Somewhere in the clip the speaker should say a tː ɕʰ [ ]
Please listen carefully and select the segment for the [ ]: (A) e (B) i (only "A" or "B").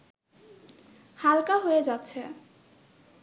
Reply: A